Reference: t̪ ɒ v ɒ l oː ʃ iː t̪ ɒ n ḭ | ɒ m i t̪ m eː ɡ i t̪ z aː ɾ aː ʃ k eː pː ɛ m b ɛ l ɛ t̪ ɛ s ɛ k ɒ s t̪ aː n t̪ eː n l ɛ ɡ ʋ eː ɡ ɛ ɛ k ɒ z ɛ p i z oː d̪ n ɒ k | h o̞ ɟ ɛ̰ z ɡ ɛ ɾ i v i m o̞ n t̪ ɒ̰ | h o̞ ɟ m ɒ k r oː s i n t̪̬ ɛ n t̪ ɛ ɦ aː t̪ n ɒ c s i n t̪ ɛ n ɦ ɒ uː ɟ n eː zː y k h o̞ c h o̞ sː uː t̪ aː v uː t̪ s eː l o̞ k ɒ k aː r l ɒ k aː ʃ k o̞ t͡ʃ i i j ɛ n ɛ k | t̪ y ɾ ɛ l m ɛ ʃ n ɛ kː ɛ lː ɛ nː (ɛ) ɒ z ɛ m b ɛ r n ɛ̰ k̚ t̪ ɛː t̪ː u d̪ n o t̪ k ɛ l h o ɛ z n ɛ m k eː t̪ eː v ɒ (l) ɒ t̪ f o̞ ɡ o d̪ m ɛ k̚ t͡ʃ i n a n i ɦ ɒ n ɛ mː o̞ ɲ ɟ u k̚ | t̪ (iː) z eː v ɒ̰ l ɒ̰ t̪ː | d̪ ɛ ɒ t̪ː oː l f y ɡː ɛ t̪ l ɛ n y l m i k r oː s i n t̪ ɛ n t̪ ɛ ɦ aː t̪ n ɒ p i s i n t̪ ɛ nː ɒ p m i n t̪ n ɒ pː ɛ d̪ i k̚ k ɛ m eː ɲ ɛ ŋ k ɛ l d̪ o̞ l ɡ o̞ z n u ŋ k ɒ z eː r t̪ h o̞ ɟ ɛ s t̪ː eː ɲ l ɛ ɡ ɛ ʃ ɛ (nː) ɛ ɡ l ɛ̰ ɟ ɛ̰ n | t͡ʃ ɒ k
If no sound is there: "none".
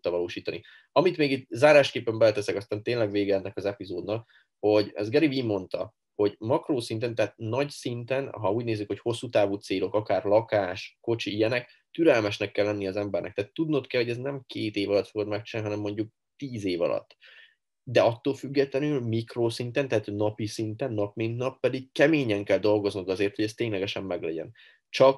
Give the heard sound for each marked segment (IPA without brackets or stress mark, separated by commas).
i, l, iː, mː